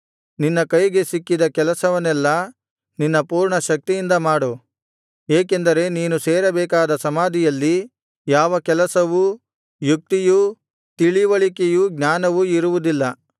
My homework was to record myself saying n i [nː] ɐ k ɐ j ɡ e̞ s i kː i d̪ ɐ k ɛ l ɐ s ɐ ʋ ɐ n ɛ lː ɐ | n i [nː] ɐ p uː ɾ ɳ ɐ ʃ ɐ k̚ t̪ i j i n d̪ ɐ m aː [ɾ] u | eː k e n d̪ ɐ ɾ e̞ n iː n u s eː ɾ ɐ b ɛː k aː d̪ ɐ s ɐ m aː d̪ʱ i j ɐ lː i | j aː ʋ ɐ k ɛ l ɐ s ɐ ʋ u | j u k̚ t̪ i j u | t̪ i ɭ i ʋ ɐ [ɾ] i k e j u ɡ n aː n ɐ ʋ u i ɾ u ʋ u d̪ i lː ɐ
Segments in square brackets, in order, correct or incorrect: correct, correct, incorrect: ɽ, incorrect: ɭ

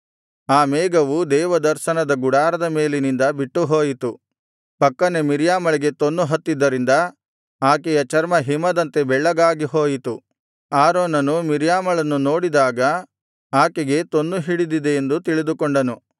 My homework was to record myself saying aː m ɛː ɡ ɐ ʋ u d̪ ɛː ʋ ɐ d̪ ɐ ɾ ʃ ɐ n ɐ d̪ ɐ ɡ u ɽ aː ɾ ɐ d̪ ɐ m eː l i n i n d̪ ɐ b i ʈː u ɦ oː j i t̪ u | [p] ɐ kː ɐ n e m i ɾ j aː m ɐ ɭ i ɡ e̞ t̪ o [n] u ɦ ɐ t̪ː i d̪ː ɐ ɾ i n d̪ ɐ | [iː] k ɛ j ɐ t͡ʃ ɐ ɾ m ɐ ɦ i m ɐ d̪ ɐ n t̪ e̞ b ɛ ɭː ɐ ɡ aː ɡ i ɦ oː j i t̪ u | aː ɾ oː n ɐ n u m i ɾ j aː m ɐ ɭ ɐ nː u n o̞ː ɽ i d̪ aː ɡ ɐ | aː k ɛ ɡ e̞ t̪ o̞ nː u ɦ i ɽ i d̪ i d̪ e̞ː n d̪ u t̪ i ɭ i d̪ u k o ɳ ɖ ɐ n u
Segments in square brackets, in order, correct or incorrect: correct, incorrect: nː, incorrect: aː

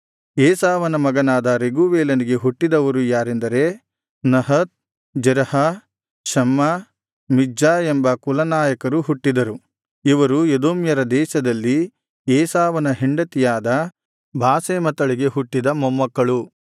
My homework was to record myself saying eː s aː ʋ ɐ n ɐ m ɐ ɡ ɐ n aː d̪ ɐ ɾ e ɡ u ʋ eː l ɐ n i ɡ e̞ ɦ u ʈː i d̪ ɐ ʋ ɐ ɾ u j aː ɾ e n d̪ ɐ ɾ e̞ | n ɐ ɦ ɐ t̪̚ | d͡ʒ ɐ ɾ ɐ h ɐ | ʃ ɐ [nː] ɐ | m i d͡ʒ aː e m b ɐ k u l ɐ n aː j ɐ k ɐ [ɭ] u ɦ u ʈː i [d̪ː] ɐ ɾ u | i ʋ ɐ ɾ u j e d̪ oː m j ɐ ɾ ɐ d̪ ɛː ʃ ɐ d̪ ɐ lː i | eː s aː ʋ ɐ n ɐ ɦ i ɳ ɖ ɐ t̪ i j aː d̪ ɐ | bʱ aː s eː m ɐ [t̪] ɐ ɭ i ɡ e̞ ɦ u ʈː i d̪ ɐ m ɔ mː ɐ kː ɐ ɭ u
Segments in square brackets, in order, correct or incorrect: incorrect: mː, incorrect: ɾ, incorrect: d̪, correct

